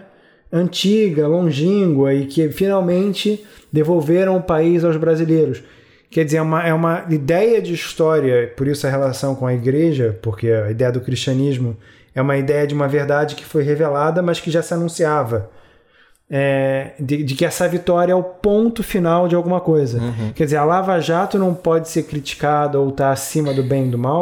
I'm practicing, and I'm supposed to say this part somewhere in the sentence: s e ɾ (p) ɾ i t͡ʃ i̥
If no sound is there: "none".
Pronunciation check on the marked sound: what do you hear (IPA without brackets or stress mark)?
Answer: k